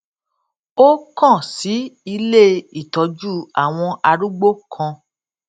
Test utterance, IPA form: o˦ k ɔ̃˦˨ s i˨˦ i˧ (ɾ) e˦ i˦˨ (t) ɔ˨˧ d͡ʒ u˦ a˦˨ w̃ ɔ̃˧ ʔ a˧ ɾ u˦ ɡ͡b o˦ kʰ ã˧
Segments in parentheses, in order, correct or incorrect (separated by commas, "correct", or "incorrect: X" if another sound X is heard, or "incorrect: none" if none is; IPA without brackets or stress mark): incorrect: l, correct